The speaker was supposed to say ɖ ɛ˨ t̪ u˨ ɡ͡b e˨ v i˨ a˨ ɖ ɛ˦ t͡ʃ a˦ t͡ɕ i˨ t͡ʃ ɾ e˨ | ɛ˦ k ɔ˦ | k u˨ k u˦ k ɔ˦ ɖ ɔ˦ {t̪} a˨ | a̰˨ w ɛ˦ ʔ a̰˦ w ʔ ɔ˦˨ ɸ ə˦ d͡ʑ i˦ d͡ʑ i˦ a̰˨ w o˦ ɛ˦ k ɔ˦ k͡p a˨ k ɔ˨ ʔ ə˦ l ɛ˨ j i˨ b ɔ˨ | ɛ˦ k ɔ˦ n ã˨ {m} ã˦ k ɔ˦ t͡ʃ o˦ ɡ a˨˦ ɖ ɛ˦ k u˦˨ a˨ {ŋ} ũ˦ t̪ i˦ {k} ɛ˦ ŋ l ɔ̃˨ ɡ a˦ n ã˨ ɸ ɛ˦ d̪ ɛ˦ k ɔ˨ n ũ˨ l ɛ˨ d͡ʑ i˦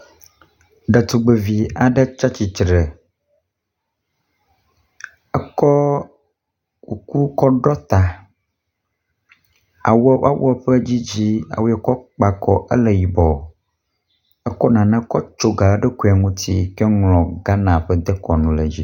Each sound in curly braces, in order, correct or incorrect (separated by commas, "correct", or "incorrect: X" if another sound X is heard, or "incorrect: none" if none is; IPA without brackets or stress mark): correct, incorrect: n, correct, correct